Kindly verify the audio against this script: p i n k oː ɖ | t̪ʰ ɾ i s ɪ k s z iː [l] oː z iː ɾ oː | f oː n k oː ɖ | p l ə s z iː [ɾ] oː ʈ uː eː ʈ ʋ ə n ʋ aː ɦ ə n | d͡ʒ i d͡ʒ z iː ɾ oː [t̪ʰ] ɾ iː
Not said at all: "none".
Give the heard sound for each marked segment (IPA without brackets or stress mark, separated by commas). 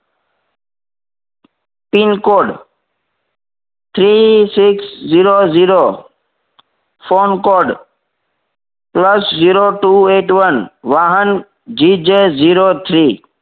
ɾ, ɾ, t̪ʰ